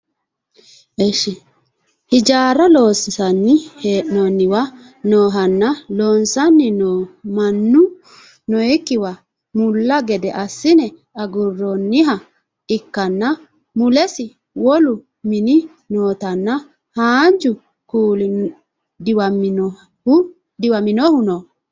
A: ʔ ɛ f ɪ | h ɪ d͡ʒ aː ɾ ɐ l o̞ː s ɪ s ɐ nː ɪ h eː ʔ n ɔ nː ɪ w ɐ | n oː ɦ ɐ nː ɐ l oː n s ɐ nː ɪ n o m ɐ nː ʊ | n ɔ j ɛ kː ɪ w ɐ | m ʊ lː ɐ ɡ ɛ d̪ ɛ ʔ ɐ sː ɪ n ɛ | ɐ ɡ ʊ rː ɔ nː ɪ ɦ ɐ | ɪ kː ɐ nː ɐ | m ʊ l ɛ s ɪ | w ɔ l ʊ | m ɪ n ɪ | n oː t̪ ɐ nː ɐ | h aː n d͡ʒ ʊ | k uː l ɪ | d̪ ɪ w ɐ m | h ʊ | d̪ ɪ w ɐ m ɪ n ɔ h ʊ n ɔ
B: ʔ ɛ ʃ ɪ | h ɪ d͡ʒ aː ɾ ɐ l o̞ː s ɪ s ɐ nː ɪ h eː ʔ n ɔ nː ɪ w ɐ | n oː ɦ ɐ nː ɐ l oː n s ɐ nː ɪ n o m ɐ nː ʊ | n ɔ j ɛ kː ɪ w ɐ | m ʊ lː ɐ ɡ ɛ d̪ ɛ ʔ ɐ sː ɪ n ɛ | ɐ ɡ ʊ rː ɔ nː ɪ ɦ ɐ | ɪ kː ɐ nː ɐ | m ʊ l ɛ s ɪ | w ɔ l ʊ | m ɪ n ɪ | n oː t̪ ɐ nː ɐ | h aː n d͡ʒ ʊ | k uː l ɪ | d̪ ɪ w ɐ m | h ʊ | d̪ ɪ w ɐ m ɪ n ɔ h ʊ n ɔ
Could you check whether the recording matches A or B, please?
B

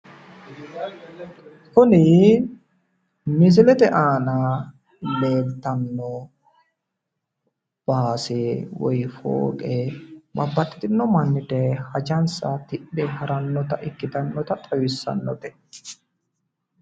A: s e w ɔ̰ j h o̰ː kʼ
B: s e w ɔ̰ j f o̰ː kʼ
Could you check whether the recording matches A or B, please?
B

